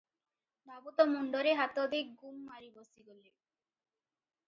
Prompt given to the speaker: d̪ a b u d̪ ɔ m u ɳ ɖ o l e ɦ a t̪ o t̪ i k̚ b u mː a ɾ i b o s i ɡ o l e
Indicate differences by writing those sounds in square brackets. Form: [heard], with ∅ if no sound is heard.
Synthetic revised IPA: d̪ a b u [t̪] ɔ m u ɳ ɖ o [ɾ] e ɦ a t̪ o [d̪] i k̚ [ɡ] u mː a ɾ i b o s i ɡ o l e